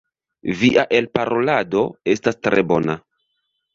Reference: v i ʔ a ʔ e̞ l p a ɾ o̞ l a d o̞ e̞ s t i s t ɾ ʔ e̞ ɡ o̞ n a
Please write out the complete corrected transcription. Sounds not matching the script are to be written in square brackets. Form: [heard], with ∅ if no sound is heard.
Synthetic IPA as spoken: v i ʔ a ʔ e̞ l p a ɾ o̞ l a d o̞ e̞ s t [a] s t ɾ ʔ e̞ [b] o̞ n a